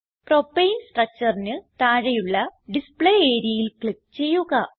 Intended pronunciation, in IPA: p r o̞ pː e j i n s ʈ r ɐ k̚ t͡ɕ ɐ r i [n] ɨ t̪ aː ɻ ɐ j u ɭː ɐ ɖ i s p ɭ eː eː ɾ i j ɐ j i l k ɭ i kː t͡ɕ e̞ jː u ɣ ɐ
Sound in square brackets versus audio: correct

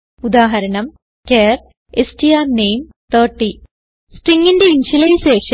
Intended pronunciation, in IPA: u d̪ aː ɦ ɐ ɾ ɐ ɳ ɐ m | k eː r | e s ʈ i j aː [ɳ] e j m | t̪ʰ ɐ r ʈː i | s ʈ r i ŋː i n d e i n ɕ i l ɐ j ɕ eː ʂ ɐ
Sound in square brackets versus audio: incorrect: n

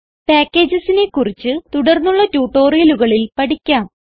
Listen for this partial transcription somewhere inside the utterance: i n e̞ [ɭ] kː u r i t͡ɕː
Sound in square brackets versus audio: incorrect: none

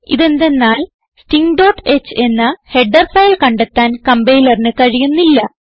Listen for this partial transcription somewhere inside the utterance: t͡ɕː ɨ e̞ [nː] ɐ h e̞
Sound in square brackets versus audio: correct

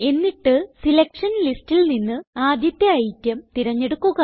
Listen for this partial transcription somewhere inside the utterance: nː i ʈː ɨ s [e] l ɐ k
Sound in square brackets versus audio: incorrect: i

